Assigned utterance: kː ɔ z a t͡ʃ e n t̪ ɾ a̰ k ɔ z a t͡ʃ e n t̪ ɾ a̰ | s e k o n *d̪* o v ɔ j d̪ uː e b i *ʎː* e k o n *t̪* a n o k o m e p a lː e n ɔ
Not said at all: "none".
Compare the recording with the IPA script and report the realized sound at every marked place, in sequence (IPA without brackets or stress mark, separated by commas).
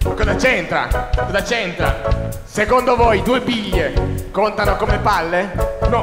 d̪, ʎː, t̪